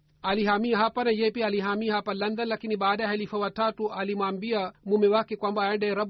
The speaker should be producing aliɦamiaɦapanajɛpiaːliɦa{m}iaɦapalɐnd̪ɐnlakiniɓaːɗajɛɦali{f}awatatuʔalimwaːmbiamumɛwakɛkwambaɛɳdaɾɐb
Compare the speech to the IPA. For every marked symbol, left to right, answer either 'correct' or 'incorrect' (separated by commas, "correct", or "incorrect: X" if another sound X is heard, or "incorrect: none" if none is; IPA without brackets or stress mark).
correct, correct